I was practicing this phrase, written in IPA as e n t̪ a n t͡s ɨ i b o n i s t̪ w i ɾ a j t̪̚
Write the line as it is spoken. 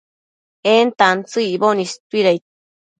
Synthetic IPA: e n t̪ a n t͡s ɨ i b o n i s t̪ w i ɾ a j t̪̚